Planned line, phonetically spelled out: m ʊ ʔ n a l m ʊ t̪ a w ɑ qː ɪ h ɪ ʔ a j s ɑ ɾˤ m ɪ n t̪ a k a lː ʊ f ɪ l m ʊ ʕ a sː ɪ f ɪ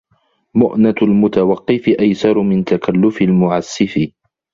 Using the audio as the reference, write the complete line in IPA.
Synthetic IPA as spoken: m ʊ ʔ n a l m ʊ t̪ a w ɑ qː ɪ f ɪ ʔ a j s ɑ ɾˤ m ɪ n t̪ a k a lː ʊ f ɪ l m ʊ ʕ a sː ɪ f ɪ